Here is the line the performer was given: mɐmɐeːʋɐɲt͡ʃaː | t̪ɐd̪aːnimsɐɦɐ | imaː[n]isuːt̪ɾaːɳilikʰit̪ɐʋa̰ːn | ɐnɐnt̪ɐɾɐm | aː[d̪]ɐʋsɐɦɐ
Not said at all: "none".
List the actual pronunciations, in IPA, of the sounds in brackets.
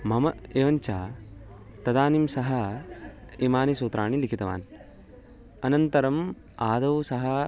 n, d̪

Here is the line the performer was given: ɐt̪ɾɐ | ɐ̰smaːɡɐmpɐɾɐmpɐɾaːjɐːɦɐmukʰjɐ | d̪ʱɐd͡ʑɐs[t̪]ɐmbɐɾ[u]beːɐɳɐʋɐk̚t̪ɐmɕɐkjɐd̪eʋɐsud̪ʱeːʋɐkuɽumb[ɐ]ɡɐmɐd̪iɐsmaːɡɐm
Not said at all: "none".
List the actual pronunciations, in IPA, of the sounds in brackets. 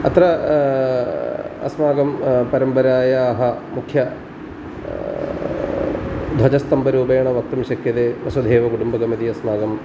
t̪, uː, ɐ

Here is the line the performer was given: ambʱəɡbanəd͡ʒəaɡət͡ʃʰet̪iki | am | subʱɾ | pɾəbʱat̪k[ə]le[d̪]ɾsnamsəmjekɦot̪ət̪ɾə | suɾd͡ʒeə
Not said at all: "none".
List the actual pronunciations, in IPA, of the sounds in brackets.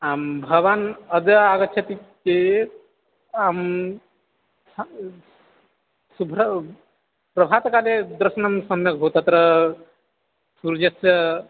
a, d̪

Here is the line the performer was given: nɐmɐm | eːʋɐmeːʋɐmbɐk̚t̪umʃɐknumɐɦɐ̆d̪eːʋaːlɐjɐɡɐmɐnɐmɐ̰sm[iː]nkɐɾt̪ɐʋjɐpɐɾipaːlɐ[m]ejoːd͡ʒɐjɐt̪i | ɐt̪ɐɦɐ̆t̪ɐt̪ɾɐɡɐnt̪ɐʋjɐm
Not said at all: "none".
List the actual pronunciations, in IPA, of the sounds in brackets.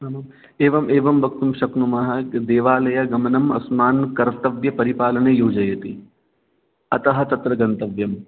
aː, n

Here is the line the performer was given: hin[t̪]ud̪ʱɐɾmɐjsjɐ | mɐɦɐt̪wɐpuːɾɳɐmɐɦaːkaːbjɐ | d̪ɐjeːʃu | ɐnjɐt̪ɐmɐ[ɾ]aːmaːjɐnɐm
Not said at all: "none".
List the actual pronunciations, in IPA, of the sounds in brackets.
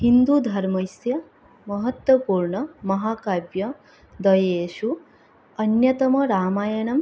d̪, ɾ

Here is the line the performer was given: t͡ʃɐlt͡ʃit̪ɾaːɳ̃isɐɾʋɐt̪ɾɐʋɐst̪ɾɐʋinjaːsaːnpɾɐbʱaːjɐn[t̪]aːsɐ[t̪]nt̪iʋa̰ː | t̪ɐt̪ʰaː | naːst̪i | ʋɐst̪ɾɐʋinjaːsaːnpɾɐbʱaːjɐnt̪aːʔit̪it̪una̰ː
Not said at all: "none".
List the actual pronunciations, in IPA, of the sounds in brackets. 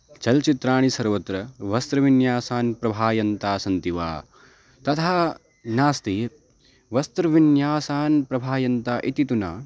t̪, none

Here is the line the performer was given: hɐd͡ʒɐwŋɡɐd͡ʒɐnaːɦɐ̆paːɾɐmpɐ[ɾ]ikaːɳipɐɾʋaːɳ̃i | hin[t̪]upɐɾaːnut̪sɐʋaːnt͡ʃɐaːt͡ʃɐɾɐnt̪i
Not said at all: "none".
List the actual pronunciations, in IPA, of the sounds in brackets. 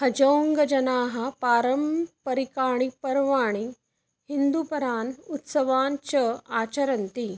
ɾ, d̪

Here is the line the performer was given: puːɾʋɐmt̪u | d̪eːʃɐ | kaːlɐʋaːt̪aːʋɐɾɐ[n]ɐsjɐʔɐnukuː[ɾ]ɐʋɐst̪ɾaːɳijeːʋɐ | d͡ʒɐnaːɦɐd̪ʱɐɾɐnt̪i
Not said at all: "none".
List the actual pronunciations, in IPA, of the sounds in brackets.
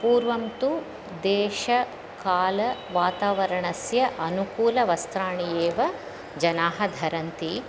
ɳ, l

